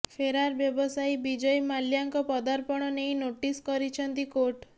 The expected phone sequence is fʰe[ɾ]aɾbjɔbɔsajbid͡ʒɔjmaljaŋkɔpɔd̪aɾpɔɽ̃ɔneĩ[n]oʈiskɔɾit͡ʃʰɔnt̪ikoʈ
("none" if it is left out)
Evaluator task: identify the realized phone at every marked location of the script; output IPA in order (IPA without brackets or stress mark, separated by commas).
ɾ, n